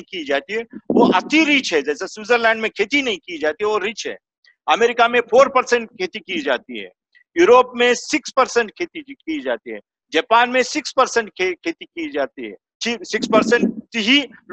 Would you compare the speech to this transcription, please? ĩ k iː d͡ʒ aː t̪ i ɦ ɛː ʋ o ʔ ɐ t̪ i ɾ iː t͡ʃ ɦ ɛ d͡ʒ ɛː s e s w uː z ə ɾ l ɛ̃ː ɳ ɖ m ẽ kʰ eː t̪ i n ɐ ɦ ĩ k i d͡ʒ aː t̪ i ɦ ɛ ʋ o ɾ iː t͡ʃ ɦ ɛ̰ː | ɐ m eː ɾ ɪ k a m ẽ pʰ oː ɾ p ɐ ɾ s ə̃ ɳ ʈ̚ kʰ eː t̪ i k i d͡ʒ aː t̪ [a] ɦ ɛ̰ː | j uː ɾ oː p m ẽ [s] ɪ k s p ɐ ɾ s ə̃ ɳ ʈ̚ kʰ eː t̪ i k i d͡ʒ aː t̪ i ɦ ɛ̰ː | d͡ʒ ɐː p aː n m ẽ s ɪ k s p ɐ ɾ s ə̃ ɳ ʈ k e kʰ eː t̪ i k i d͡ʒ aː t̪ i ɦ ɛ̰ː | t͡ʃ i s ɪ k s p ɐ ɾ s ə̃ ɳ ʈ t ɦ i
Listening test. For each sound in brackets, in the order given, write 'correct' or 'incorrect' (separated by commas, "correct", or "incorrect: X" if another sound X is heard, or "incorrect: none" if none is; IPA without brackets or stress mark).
incorrect: i, correct